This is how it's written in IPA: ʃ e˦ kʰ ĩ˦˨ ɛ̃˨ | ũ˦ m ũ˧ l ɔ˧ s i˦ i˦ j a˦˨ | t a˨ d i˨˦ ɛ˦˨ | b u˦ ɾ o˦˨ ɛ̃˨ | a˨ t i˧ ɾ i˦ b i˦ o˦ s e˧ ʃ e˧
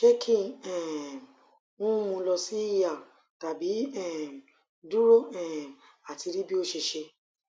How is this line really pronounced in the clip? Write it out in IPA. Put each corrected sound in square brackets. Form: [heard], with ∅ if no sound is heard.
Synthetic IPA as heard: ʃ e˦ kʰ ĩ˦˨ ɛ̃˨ | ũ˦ m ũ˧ l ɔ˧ s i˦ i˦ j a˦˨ | t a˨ [b] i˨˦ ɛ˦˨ | [d] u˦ ɾ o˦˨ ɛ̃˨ | a˨ t i˧ ɾ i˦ b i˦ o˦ [ʃ] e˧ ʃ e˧